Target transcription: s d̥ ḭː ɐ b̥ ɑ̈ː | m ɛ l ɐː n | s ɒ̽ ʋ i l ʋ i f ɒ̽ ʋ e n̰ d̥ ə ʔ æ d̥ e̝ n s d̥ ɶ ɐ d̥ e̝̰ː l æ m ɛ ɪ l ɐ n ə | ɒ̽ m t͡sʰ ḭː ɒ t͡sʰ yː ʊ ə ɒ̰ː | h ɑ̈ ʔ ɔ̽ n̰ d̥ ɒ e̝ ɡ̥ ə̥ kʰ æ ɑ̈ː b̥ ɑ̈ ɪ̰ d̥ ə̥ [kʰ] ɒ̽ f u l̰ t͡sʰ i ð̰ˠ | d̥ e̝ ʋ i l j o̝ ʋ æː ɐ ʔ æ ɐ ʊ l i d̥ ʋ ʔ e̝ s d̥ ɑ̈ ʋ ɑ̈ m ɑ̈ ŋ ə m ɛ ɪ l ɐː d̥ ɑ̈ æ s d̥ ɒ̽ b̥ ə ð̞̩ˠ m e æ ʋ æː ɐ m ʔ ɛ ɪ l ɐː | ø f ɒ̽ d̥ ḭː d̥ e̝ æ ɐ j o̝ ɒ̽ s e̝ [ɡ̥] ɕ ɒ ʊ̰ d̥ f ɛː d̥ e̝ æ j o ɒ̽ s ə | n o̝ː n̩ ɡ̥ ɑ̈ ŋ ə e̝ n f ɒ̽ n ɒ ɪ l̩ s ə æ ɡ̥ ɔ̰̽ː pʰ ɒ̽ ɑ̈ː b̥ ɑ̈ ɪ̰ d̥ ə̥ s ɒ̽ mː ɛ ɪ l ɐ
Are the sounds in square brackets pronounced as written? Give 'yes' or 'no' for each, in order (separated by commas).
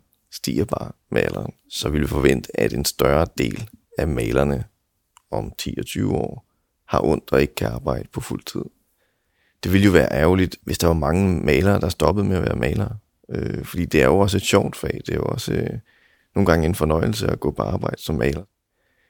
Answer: no, no